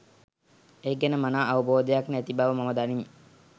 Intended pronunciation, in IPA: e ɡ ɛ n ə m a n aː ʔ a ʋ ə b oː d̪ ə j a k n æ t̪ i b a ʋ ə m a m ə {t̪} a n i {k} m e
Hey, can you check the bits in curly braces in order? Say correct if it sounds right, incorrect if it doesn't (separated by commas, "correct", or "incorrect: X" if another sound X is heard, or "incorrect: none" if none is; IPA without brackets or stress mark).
incorrect: d̪, incorrect: none